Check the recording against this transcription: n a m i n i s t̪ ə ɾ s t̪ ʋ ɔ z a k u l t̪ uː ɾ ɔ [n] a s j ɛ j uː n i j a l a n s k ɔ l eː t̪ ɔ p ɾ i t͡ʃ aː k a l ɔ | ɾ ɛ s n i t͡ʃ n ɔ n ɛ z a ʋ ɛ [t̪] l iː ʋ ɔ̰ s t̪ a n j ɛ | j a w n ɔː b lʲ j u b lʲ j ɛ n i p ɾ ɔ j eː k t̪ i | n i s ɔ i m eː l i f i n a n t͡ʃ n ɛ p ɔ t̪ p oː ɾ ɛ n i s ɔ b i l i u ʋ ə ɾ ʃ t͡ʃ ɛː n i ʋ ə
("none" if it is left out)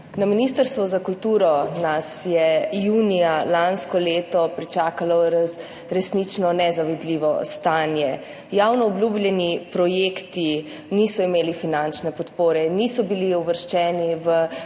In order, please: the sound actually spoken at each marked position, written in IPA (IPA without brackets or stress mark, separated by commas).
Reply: n, d̪